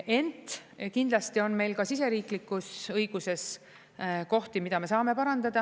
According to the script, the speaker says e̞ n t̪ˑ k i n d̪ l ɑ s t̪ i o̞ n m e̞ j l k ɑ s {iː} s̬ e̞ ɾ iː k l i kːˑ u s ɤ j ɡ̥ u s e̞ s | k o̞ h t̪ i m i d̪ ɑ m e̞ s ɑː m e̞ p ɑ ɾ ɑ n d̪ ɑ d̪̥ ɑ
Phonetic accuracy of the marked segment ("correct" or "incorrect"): incorrect